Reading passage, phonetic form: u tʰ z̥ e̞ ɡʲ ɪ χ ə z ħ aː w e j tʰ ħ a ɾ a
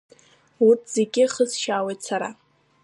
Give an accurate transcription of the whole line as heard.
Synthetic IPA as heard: u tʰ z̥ e̞ ɡʲ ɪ χ ə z ʃ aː w e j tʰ s a ɾ a